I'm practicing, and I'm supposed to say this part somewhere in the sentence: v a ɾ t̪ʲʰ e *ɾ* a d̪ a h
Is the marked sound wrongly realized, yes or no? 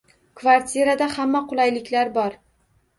no